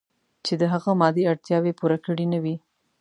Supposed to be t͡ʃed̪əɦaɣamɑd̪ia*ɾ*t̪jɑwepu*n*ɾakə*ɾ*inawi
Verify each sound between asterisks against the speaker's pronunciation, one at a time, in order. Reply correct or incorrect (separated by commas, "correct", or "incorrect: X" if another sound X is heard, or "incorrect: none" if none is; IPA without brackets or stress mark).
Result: incorrect: ɽ, incorrect: none, incorrect: ɽ